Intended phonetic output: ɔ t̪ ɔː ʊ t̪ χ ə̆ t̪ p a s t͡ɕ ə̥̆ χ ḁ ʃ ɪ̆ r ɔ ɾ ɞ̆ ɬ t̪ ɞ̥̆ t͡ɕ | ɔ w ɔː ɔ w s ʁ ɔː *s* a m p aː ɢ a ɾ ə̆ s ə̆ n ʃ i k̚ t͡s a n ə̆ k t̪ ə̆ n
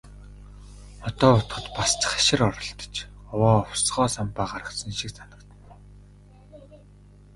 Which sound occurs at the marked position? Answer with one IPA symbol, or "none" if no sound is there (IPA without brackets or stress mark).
s